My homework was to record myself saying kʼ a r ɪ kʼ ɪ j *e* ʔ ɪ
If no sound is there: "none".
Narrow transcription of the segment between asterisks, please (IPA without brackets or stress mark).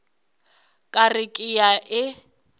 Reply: a